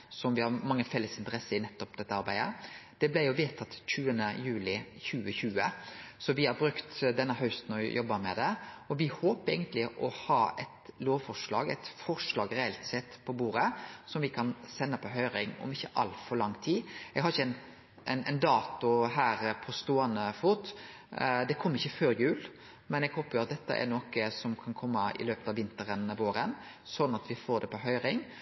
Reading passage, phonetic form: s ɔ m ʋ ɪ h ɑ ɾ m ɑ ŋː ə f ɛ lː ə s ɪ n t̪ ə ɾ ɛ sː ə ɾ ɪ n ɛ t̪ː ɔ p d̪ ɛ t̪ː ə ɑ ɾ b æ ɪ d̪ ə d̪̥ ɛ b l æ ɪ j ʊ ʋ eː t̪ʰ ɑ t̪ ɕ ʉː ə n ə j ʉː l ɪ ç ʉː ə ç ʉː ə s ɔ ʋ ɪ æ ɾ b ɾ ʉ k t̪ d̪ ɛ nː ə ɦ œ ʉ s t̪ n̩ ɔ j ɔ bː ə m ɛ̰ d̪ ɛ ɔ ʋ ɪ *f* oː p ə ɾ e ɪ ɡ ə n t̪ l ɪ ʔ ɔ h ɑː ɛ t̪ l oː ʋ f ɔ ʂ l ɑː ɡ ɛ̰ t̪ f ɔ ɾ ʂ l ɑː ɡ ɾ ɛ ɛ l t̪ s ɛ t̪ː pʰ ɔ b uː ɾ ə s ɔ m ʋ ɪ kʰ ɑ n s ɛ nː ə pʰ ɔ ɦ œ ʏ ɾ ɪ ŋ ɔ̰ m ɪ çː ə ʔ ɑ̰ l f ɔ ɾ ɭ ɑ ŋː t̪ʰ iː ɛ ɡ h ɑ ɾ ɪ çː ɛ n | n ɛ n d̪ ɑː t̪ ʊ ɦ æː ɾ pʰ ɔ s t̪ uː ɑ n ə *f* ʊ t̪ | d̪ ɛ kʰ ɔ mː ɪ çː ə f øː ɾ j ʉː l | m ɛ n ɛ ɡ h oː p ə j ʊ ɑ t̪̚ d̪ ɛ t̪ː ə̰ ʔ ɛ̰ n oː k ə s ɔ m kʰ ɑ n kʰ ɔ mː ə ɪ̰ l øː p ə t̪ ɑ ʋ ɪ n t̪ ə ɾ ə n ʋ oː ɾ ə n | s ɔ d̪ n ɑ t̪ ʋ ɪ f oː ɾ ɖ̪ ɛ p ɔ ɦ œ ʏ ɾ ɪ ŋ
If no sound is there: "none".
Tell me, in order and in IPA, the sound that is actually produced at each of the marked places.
h, f

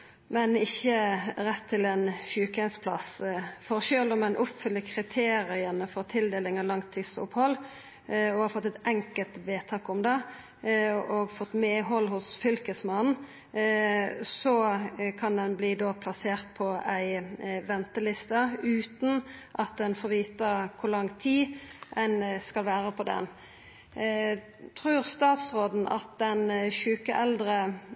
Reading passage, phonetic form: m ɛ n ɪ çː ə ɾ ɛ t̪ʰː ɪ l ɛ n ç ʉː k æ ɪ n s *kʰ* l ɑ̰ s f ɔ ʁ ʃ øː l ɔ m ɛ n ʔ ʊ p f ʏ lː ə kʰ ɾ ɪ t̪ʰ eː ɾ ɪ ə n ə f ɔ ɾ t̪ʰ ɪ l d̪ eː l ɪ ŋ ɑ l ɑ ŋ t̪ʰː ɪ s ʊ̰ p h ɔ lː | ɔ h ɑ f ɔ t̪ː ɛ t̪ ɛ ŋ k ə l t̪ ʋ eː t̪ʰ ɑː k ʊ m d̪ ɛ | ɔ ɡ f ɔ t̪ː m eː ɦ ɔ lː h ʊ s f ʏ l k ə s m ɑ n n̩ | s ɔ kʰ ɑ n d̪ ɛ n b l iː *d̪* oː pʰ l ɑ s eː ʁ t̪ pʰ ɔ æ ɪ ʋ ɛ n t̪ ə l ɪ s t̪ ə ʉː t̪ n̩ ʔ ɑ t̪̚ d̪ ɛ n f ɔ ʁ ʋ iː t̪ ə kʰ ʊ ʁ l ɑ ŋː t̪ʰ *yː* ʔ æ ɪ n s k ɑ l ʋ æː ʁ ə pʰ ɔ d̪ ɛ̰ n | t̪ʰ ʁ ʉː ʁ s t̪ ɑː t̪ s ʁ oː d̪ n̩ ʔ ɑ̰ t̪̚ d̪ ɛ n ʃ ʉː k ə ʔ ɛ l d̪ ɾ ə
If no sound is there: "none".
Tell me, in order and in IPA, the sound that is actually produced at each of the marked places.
pʰ, d̪, iː

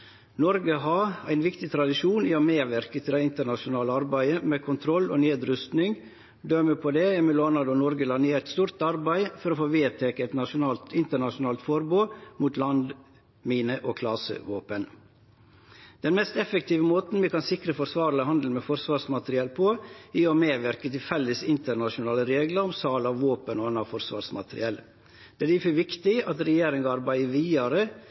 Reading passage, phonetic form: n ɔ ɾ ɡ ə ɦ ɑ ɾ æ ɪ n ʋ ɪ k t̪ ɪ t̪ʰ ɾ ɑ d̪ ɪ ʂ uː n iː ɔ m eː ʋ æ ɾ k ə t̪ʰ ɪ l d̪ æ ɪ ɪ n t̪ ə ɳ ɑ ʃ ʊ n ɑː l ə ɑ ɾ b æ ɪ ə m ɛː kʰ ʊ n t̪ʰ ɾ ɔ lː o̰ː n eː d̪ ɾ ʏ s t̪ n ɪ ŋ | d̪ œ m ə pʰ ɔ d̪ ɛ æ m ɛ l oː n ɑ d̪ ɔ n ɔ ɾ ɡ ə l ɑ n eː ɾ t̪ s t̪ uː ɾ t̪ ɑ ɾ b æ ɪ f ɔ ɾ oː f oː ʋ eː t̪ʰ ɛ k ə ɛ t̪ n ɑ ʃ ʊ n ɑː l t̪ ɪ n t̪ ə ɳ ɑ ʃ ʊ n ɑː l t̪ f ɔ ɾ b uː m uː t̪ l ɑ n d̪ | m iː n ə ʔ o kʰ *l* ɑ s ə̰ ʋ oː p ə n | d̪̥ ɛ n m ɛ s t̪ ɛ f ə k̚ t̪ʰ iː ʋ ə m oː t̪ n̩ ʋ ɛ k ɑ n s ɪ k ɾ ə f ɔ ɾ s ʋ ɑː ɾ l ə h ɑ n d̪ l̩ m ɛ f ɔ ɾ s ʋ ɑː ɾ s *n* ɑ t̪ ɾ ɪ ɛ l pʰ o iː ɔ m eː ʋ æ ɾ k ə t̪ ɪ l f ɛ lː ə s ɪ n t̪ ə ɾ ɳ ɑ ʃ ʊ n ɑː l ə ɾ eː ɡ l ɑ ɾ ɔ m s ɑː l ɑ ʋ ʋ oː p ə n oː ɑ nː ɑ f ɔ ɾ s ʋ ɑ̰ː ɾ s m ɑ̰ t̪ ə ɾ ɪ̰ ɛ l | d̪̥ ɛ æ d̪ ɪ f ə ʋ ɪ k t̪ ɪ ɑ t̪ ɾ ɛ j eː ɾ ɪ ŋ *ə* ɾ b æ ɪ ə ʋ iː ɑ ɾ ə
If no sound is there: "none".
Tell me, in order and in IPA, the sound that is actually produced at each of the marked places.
l, m, ɑ

